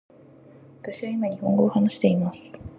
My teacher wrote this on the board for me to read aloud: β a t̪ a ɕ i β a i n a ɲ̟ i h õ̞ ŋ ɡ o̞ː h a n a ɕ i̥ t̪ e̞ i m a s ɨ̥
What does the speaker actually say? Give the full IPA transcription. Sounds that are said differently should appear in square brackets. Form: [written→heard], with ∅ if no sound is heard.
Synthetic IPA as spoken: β a t̪ a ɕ i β a i [n→m] a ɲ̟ i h õ̞ ŋ ɡ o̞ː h a n a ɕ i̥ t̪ e̞ i m a s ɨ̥